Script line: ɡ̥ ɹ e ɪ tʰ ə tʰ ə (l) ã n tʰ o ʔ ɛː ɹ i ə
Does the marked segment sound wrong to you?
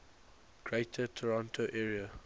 yes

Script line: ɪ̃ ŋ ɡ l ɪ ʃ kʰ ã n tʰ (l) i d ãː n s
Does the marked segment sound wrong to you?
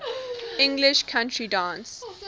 yes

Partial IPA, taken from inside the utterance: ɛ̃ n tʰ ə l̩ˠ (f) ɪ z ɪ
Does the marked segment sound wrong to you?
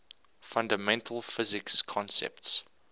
no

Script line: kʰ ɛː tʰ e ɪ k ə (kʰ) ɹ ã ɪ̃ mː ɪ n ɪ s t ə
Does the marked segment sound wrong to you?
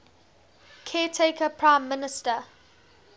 yes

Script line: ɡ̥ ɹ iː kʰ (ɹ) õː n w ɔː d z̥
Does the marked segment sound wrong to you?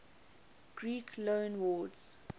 yes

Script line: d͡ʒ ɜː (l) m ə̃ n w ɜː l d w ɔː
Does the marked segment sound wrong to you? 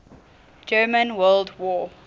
yes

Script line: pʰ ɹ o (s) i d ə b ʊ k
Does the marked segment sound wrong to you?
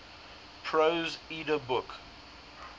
yes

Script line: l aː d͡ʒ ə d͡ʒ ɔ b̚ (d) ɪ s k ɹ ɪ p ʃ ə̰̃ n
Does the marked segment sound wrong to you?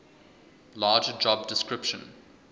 no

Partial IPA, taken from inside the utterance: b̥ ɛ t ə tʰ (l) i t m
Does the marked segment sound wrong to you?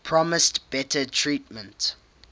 yes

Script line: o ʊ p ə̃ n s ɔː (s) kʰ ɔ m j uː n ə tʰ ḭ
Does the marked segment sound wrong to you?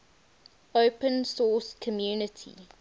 no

